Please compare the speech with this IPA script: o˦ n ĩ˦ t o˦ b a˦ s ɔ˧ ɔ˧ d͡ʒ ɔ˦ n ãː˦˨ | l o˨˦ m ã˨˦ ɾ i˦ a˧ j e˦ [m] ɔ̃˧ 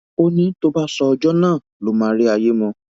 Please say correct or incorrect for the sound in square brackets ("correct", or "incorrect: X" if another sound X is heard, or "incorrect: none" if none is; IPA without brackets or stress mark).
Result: correct